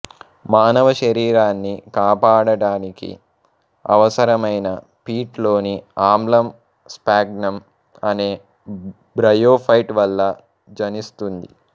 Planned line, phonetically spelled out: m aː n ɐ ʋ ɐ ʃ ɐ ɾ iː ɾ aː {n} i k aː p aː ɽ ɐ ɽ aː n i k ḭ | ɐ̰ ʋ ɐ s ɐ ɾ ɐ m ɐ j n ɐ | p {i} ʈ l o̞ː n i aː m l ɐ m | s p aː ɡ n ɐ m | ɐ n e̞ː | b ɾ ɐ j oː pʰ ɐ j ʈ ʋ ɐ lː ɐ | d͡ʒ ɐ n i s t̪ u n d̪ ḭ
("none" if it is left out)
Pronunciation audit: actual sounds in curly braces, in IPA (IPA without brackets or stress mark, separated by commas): nː, iː